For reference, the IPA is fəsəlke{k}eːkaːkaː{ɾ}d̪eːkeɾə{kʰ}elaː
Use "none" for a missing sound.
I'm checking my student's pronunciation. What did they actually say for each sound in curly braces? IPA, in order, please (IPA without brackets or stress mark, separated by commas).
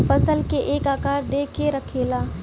ʔ, ɾ, kʰ